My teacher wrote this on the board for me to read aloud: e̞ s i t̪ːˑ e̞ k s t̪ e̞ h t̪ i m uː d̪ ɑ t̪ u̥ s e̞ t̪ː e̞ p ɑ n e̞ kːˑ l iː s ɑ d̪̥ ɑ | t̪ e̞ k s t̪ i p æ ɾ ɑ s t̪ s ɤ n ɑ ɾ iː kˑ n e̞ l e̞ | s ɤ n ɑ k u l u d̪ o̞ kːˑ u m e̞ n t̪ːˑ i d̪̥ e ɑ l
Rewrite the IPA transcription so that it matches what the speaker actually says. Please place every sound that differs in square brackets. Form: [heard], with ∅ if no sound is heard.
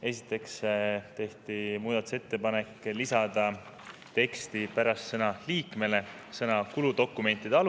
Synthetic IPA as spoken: e̞ s i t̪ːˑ e̞ k s t̪ e̞ h t̪ i m uː d̪ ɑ t̪ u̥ s e̞ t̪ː e̞ p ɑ n e̞ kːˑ l [i] s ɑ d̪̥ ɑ | t̪ e̞ k s t̪ i p æ ɾ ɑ s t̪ s ɤ n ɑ [l] iː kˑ [m] e̞ l e̞ | s ɤ n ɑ k u l u d̪ o̞ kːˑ u m e̞ n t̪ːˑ i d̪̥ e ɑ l